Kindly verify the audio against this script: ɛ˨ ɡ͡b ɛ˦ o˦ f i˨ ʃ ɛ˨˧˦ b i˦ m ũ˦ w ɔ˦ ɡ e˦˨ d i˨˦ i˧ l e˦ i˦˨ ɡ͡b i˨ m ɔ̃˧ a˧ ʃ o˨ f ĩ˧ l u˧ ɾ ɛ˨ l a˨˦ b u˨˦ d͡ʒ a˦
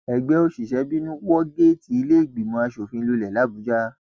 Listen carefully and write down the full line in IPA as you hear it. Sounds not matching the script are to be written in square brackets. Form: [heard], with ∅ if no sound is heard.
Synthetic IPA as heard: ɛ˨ ɡ͡b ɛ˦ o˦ [ʃ] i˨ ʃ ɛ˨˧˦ b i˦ [n] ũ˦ w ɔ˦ ɡ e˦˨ [t] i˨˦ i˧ l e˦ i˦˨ ɡ͡b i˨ m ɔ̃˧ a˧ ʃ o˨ f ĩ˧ l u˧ [l] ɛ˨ l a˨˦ b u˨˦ d͡ʒ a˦